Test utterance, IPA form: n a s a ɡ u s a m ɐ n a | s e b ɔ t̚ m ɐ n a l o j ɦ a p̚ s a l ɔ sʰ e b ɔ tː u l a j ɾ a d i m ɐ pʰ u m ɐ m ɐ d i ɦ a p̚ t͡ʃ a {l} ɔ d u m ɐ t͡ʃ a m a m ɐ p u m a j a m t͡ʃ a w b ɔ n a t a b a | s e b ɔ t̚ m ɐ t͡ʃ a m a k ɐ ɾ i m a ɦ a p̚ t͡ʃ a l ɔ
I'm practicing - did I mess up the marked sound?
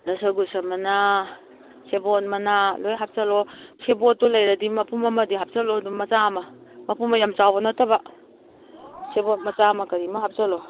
no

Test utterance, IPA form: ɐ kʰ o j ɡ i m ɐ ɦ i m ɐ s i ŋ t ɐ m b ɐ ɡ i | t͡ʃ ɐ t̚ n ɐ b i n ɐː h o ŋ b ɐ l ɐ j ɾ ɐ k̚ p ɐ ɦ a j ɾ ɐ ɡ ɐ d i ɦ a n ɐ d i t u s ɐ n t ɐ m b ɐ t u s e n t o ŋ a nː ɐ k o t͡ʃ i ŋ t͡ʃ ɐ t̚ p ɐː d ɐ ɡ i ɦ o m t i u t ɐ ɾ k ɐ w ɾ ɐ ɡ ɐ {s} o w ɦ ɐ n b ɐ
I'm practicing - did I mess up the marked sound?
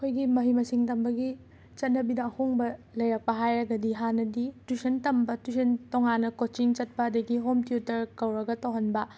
yes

